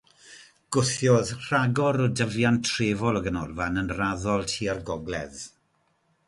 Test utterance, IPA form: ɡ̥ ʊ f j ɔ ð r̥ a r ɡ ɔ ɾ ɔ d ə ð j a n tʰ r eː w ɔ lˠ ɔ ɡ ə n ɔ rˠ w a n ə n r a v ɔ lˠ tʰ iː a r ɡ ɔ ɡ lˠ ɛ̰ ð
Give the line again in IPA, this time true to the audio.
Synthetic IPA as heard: ɡ̥ ʊ θ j ɔ ð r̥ a ɡ ɔ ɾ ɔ d ə v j a n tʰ r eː v ɔ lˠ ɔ ɡ ə n ɔ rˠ v a n ə n r a ð ɔ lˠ tʰ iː a r ɡ ɔ ɡ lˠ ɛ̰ ð